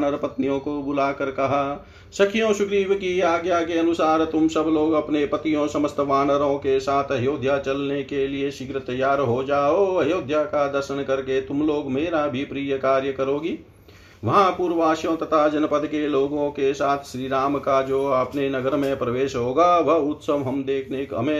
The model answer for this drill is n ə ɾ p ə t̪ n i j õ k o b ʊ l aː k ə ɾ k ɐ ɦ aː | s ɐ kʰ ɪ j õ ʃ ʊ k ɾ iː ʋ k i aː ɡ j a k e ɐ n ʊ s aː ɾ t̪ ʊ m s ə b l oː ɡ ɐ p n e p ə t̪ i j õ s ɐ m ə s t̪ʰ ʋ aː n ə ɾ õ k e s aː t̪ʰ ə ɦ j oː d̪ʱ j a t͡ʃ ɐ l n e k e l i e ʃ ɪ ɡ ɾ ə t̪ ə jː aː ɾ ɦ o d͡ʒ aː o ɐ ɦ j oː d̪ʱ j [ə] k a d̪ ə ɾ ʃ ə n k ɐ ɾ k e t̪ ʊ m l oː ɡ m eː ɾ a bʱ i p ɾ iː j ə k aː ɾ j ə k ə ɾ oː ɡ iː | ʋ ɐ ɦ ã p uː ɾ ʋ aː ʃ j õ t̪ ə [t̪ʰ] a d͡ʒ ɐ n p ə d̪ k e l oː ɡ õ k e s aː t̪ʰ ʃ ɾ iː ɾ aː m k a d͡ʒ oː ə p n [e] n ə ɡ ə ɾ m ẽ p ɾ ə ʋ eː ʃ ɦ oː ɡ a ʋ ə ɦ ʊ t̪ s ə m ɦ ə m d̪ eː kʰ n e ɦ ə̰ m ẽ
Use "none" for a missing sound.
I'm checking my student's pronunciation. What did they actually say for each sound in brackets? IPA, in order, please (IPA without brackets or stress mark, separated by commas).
a, t̪ʰ, e